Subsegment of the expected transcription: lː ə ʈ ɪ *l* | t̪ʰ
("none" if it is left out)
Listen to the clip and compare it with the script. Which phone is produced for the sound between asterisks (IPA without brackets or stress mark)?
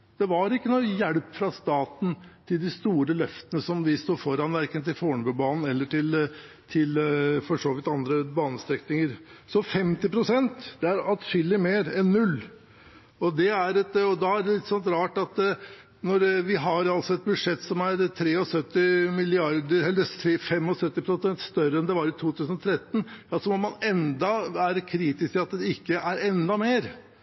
l